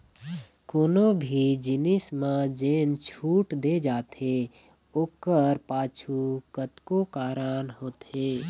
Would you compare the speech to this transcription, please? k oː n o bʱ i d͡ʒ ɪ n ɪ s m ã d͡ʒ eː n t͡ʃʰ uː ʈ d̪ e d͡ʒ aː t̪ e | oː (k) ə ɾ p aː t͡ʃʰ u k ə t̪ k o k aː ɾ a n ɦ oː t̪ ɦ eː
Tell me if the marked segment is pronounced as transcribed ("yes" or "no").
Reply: yes